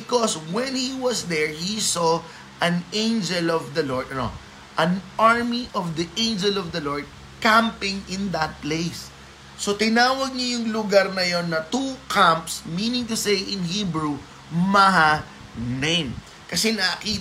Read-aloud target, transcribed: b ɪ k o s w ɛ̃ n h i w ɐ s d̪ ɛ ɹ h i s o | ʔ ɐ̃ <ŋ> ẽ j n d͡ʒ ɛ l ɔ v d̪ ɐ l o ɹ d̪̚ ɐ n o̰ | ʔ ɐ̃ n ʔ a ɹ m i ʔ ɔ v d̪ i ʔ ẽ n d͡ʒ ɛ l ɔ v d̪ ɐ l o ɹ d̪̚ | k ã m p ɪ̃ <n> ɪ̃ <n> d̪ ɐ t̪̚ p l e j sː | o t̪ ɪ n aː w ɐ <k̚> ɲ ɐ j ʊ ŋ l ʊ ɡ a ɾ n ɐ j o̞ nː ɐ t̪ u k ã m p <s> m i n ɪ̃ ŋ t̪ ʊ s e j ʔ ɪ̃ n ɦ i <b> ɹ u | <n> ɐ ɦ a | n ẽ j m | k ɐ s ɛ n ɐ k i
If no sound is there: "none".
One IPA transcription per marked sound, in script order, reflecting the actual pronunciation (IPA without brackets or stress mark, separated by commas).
n, ŋ, n, ɡ̚, s, b, m